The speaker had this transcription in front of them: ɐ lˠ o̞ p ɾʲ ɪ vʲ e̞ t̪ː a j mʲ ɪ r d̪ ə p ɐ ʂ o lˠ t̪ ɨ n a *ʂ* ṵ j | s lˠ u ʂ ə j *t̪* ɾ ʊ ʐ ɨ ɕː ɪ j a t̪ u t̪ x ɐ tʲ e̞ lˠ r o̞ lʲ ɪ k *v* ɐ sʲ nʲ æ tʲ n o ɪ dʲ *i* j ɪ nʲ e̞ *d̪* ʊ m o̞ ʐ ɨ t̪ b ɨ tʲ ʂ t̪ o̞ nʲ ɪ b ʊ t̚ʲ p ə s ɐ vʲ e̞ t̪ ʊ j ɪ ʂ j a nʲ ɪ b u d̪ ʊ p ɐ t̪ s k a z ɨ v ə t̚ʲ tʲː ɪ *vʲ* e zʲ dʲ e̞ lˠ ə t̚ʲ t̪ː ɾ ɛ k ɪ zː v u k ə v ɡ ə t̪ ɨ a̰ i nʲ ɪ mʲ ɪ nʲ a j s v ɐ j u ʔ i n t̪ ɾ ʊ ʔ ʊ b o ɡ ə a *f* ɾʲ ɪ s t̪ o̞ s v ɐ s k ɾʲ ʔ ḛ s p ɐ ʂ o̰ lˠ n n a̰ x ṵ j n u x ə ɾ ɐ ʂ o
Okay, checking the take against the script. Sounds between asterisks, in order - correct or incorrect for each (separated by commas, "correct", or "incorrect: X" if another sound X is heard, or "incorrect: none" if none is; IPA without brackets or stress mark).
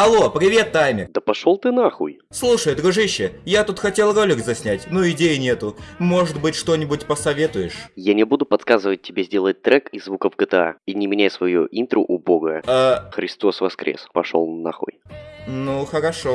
incorrect: x, incorrect: d̪, incorrect: z, incorrect: e, incorrect: t̪, incorrect: bʲ, incorrect: x